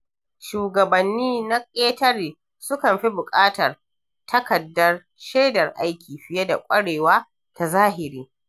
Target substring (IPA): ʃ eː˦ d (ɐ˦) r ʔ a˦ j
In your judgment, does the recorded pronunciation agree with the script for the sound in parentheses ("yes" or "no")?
no